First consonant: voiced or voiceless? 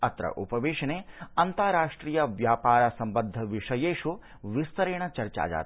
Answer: voiceless